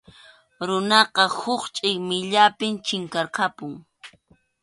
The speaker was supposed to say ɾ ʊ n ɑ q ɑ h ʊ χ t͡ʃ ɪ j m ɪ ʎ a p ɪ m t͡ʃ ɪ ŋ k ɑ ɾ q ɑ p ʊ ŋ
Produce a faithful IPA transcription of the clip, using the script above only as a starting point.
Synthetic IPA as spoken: ɾ ʊ n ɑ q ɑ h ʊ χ t͡ʃʼ ɪ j m ɪ ʎ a p ɪ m t͡ʃ ɪ ŋ k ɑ ɾ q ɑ p ʊ ŋ